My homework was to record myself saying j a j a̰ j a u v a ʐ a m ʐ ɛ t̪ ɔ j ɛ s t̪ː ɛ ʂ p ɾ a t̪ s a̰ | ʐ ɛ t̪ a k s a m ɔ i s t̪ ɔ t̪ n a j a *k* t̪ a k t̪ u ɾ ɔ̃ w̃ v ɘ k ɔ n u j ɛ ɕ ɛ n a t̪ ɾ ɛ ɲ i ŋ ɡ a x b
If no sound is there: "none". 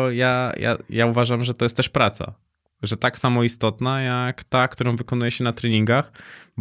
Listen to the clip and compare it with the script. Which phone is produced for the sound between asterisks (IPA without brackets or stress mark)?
k